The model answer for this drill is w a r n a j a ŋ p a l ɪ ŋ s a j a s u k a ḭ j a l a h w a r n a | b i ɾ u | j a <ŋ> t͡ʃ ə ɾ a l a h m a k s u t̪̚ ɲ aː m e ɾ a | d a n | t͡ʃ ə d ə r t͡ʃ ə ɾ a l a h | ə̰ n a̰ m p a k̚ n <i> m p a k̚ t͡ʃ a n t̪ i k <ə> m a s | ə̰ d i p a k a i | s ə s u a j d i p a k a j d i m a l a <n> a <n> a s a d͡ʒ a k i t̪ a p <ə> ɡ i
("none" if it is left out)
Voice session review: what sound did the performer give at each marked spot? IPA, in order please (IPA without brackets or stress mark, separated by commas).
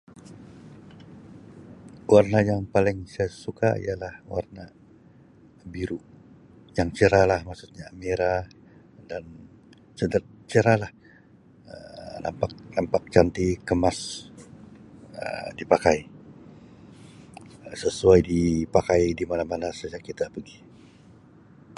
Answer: ŋ, a, ə, m, n, ə